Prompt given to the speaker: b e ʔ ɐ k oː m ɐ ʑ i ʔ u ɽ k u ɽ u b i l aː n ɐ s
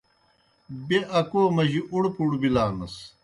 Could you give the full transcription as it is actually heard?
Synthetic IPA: b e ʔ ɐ k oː m ɐ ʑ i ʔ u ɽ p u ɽ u b i l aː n ɐ s